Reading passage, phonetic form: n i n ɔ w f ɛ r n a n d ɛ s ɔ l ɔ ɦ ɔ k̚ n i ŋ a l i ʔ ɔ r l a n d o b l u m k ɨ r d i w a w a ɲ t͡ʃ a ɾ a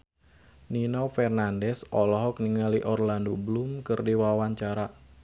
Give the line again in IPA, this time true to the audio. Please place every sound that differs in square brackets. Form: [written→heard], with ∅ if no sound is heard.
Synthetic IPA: n i n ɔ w f ɛ r n a n d ɛ s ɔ l ɔ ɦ ɔ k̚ n i ŋ a l i ʔ ɔ r l a n d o b l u m k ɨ r d i w a w a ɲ t͡ʃ a ɾ a